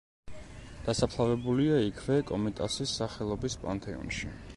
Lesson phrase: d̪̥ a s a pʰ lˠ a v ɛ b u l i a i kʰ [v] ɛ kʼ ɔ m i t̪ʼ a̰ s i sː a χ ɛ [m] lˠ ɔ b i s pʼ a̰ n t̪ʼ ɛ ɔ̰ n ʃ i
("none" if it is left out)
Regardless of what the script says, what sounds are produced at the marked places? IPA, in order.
v, none

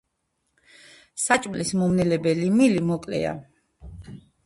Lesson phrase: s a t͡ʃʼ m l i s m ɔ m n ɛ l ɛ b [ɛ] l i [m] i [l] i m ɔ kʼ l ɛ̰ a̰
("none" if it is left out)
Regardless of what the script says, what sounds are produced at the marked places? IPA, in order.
ɛ, m, l

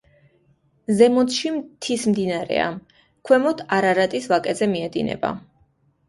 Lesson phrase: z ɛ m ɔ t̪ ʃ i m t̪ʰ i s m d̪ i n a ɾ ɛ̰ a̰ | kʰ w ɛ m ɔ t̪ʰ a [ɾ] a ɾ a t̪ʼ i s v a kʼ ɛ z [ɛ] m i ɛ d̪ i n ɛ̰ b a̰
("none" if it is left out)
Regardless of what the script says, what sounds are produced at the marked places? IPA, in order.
ɾ, ɛ

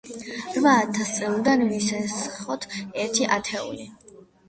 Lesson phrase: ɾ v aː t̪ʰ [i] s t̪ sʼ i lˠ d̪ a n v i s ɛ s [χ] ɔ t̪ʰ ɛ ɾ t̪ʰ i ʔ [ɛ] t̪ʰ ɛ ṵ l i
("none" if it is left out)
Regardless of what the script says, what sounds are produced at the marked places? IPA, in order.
a, χ, a

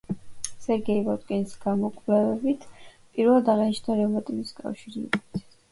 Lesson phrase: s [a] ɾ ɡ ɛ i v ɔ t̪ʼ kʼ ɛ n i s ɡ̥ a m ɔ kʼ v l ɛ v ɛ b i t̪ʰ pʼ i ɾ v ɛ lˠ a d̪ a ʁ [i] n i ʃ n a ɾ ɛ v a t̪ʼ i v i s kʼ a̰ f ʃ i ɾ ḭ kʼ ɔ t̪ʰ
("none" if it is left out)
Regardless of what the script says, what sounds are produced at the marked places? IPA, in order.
ɛ, ɛ

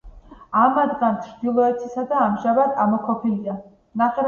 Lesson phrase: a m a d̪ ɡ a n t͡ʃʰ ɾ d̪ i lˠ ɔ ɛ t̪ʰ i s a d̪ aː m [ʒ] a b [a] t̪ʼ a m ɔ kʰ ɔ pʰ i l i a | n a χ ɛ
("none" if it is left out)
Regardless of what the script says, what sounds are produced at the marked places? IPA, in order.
ʒ, a

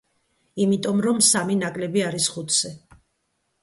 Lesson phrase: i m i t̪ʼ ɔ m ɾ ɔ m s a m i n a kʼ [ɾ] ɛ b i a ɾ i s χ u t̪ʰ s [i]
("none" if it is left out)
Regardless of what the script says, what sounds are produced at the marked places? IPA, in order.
l, ɛ

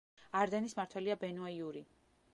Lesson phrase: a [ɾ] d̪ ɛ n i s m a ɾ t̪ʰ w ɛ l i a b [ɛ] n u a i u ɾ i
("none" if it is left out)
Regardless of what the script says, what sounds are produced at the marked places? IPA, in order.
ɾ, ɛ

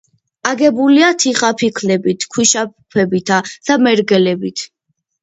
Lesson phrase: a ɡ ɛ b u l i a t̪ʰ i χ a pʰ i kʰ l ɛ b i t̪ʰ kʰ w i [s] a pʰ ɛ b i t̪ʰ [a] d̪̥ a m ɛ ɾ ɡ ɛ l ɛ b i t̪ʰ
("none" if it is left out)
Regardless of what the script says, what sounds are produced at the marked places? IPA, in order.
ʃ, a

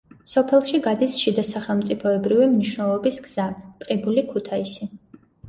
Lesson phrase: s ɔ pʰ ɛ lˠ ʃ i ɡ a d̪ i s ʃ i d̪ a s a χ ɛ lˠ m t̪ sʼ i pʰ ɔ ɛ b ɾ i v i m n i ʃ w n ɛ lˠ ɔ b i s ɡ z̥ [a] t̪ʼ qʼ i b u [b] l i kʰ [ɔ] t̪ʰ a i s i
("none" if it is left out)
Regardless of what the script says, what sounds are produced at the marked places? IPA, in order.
a, none, u

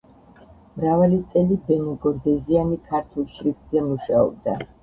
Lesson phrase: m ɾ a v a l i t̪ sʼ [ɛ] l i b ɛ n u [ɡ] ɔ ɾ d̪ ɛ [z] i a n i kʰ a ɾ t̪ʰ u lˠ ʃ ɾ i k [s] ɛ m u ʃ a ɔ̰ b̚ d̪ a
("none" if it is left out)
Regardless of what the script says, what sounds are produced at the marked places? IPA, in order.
ɛ, ɡ, z, z

